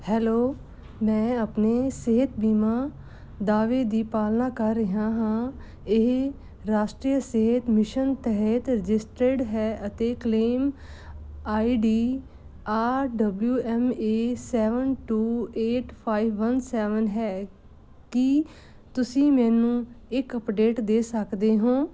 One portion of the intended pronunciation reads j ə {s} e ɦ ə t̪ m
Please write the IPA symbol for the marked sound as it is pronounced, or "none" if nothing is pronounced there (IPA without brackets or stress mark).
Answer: s